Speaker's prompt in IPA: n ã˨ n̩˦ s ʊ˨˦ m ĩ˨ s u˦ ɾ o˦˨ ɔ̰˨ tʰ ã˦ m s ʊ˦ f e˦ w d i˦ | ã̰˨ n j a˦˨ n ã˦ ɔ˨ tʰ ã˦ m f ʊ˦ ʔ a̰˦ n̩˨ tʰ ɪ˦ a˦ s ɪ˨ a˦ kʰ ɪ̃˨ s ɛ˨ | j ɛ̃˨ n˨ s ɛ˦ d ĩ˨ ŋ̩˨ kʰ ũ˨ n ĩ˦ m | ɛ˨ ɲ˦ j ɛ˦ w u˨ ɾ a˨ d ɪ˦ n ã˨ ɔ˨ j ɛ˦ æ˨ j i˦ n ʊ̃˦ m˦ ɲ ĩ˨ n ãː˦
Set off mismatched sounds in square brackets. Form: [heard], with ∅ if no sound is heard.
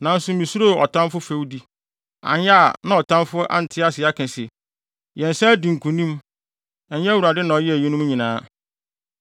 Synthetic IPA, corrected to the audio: n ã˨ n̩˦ s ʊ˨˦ m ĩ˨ s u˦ ɾ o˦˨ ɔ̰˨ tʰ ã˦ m [f] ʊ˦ f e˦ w d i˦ | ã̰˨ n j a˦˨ n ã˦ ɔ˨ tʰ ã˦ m f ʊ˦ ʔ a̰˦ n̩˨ tʰ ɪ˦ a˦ s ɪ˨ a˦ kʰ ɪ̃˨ s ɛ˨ | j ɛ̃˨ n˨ s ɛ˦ d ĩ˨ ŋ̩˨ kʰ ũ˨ n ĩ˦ m | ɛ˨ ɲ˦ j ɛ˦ w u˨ ɾ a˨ d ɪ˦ n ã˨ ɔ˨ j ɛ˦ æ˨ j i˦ n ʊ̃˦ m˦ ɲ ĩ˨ n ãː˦